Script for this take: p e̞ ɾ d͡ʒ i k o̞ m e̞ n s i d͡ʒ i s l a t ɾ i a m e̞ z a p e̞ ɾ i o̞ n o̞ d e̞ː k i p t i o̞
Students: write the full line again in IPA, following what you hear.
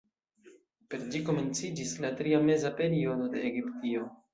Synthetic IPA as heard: p e̞ ɾ d͡ʒ i k o̞ m e̞ n t͡s i d͡ʒ i s l a t ɾ i a m e̞ z a p e̞ ɾ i o̞ d o̞ d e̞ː ɡ i p t i o̞